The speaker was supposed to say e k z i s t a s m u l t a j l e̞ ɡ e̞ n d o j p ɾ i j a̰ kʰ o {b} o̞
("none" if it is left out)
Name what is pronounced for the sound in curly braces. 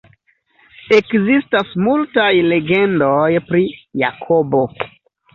b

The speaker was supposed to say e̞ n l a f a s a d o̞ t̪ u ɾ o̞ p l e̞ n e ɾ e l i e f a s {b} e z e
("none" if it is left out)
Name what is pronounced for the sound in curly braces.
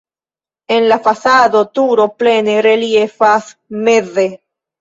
m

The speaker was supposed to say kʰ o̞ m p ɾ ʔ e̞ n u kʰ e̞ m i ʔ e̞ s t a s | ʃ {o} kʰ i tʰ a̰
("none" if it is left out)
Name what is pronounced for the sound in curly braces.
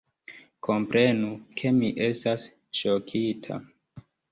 o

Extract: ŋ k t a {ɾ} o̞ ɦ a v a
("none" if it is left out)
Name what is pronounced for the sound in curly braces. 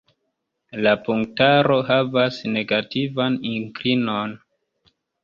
ɾ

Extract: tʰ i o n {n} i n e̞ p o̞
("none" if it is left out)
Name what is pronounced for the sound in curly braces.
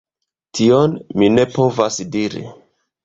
m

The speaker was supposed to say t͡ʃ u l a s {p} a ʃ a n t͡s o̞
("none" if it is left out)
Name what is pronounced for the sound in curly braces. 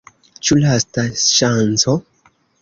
t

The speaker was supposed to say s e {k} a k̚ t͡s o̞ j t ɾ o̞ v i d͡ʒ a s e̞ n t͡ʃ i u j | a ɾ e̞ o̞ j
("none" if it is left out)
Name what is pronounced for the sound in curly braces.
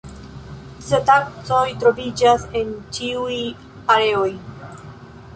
t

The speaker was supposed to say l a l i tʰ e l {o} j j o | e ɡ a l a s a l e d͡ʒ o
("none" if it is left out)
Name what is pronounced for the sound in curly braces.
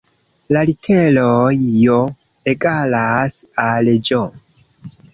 o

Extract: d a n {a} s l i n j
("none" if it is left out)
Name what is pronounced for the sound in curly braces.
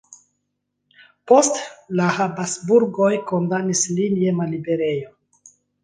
i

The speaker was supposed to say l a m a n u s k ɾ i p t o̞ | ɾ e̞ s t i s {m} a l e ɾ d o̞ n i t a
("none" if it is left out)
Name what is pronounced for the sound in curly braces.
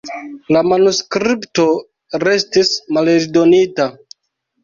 m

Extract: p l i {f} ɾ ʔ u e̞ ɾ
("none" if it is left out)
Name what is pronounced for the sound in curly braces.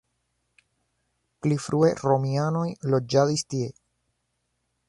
f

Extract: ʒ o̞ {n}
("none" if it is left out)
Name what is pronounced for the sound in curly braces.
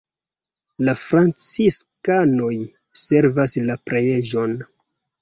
n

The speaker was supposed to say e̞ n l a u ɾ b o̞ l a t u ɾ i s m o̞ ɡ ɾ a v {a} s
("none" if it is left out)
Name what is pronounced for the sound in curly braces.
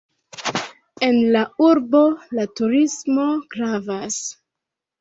a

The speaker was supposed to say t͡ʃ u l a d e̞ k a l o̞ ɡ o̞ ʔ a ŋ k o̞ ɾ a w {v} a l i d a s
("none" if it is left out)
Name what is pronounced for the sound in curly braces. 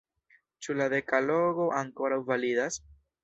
v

